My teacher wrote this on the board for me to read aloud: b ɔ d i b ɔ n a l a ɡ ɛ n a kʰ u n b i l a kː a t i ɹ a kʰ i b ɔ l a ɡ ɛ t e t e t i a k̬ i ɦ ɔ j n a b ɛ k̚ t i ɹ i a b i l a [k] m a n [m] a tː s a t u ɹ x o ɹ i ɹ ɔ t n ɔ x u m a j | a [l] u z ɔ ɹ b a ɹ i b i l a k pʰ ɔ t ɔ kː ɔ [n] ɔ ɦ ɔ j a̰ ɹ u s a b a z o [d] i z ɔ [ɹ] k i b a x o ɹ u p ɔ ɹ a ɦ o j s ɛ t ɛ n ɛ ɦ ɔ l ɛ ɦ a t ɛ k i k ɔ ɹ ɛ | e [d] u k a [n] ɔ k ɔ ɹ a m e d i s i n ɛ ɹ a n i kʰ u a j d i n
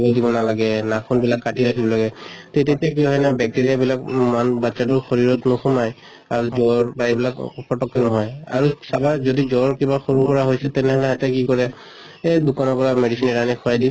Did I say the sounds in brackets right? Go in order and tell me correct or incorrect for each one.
correct, incorrect: b, incorrect: ɹ, correct, correct, correct, correct, correct

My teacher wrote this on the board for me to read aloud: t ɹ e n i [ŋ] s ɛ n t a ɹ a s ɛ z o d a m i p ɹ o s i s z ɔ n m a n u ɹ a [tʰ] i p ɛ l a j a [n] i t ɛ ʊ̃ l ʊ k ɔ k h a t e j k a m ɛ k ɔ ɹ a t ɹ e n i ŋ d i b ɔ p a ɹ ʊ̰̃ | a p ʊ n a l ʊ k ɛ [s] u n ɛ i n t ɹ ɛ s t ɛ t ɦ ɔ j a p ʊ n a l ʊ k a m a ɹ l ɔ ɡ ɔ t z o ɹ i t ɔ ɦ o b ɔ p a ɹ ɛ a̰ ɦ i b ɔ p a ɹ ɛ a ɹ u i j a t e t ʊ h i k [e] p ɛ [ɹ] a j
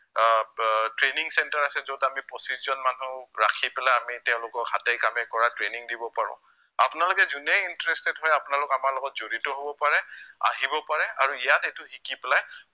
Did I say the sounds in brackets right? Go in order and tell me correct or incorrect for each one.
correct, incorrect: kʰ, incorrect: m, incorrect: z, incorrect: i, incorrect: l

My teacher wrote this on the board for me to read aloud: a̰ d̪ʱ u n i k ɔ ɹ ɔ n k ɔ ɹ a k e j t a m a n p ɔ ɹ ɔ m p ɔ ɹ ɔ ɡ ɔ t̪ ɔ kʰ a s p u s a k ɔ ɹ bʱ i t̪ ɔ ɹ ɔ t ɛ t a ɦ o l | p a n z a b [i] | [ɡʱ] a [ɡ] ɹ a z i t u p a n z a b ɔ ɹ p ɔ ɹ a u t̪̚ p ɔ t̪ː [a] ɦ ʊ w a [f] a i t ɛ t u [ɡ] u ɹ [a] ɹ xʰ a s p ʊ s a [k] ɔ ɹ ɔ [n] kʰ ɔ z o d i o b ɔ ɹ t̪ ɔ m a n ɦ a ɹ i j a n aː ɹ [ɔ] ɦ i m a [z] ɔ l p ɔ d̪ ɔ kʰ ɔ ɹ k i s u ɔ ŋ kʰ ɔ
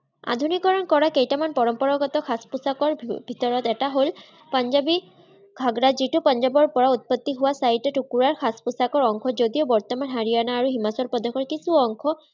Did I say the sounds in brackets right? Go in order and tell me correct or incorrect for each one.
correct, correct, correct, incorrect: i, incorrect: s, incorrect: k, correct, correct, incorrect: ŋ, incorrect: u, incorrect: s

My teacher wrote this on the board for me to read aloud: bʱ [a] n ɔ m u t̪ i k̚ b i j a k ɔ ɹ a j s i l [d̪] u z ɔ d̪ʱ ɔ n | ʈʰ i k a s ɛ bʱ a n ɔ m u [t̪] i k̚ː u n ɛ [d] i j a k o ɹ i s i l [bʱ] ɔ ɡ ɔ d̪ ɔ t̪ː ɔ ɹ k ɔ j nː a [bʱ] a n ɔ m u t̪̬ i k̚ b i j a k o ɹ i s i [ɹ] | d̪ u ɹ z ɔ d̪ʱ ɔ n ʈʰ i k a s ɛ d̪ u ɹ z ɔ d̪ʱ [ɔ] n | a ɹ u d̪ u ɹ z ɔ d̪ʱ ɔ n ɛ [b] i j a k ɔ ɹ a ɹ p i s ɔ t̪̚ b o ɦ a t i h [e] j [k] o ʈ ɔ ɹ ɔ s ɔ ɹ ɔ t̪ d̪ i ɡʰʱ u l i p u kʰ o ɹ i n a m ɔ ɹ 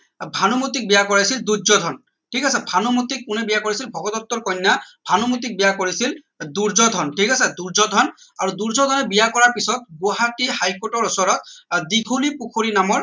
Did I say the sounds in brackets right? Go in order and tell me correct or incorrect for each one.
correct, correct, correct, incorrect: b, correct, correct, incorrect: l, correct, correct, incorrect: a, correct

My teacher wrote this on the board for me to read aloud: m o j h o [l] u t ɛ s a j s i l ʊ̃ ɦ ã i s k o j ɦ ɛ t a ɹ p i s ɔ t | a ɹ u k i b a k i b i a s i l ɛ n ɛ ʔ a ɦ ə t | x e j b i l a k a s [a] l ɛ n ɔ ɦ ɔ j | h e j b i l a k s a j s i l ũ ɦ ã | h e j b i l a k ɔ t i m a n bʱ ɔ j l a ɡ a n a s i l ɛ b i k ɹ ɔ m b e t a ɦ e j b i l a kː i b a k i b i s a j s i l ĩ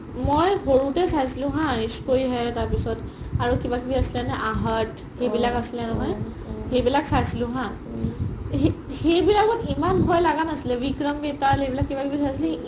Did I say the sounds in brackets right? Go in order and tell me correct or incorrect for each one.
incorrect: ɹ, incorrect: i

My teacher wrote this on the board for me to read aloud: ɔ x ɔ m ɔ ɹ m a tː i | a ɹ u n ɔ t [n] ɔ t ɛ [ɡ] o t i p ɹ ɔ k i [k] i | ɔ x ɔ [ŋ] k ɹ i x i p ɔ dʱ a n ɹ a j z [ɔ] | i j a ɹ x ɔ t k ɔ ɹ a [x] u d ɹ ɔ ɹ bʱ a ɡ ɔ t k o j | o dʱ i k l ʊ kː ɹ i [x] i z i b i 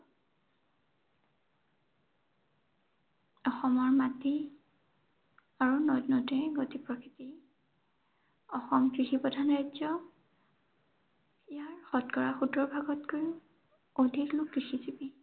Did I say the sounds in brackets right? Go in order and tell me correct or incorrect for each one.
correct, correct, incorrect: t, incorrect: m, correct, correct, correct

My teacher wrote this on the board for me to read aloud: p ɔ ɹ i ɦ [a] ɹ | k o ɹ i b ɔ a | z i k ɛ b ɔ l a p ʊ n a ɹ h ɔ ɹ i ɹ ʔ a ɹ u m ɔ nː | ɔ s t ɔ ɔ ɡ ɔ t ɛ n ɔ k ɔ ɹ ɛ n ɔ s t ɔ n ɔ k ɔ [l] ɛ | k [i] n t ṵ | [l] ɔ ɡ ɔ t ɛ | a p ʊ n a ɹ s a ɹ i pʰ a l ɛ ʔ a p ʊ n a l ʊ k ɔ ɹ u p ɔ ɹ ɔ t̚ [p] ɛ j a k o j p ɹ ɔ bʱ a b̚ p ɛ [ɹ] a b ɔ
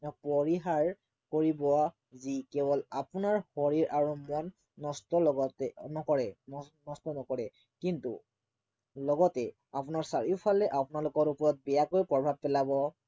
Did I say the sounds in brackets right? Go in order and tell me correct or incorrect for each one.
correct, incorrect: ɹ, correct, correct, incorrect: b, incorrect: l

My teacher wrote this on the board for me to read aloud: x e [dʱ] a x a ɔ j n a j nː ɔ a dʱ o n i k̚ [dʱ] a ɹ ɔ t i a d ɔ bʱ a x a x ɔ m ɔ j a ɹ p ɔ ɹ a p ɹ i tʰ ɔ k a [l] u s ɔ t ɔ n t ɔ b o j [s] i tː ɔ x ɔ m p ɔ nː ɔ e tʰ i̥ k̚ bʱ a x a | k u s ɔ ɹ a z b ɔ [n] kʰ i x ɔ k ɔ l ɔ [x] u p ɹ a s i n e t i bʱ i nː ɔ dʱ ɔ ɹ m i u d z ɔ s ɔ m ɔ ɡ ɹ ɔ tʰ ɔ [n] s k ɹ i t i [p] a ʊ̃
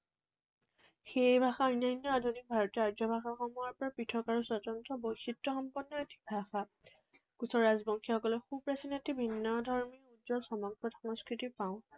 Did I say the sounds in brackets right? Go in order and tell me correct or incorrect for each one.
incorrect: bʱ, incorrect: bʱ, incorrect: ɹ, incorrect: x, incorrect: ŋ, correct, incorrect: ŋ, correct

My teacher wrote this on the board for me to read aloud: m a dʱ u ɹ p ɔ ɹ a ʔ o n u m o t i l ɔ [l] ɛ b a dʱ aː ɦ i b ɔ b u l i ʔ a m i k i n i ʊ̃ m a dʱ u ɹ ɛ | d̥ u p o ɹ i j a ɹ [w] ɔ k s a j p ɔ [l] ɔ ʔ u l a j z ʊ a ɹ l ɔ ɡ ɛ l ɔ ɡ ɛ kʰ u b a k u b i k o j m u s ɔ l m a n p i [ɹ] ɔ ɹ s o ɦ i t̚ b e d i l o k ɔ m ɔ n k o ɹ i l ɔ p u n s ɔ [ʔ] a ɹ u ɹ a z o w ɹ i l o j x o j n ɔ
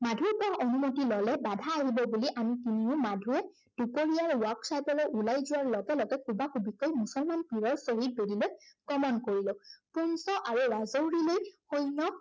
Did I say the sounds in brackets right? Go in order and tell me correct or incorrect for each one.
correct, correct, correct, correct, correct

